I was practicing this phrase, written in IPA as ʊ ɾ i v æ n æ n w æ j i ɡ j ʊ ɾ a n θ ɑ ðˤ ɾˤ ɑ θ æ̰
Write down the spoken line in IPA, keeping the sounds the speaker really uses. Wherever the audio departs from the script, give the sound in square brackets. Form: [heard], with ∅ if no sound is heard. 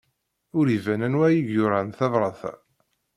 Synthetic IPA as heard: ʊ ɾ i v æ n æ n w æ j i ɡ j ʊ ɾ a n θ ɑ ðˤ ɾˤ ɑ θ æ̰